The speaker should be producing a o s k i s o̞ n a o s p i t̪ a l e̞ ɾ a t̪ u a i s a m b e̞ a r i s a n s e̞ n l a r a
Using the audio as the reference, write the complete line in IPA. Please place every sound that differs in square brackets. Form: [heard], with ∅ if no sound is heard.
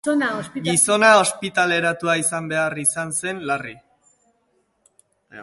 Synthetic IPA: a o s [ɡ] i s o̞ n a o s p i t̪ a l e̞ ɾ a t̪ u a i s a m b e̞ a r i s a n s e̞ n l a r [i]